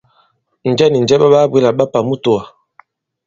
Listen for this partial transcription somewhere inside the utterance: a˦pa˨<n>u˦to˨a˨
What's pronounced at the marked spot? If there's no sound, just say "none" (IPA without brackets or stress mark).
m